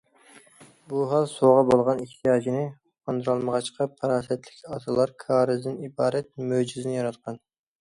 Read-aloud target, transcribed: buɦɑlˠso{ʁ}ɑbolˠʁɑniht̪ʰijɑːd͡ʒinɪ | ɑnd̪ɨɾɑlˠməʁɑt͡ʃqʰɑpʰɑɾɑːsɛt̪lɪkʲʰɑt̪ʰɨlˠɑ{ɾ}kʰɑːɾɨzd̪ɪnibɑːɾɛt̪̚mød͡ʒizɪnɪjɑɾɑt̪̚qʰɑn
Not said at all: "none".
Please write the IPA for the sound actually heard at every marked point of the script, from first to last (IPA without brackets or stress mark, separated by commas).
ʁ, ɾ